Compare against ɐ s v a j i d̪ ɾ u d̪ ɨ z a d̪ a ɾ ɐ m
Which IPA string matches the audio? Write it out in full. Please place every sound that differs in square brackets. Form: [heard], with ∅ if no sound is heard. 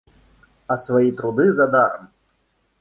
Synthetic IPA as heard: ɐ s v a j i [t̪] ɾ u d̪ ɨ z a d̪ a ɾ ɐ m